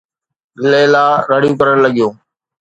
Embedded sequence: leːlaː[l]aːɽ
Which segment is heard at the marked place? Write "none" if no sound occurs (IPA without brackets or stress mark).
ɾ